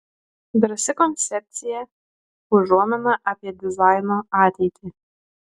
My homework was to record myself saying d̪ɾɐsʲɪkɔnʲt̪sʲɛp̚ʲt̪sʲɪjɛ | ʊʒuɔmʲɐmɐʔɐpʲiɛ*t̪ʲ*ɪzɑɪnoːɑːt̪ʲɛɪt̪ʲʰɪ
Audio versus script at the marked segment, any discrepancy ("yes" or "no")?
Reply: yes